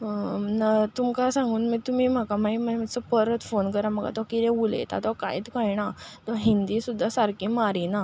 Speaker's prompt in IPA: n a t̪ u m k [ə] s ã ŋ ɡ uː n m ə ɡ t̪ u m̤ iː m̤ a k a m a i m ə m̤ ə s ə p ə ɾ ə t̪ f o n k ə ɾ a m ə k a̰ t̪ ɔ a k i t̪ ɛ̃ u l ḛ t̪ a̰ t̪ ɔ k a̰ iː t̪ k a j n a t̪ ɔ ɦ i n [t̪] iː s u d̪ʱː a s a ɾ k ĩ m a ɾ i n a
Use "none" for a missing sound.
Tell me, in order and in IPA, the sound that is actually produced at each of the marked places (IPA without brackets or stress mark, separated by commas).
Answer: a, d̪